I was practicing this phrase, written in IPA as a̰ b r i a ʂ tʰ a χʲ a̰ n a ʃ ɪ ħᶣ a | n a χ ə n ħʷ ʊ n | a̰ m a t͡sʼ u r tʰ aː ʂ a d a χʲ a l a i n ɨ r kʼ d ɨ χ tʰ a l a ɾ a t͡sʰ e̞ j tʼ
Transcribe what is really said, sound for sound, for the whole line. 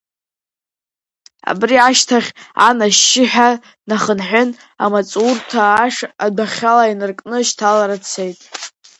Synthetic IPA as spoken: a̰ b r i a ʃ tʰ a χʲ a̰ n a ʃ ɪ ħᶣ a | n a χ ə n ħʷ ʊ n | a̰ m a t͡sʼ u r tʰ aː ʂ a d a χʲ a l a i n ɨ r kʼ n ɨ ʃ tʰ a l a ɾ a t͡sʰ e̞ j tʼ